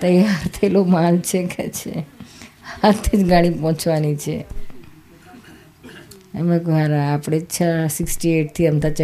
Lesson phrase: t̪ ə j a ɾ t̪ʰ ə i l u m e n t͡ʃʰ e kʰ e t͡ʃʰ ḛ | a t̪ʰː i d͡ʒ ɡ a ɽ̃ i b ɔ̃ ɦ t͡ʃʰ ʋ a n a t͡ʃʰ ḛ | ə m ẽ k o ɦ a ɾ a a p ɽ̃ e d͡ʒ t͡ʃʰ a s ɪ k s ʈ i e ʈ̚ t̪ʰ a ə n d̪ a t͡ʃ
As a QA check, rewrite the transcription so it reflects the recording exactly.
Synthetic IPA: t̪ ə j a ɾ t̪ʰ ə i l o m a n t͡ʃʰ e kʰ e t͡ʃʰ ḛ | a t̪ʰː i d͡ʒ ɡ a ɽ̃ i p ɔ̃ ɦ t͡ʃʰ ʋ a n i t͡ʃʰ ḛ | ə m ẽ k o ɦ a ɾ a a p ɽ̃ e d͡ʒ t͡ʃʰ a s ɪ k s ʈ i e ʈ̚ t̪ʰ i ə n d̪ a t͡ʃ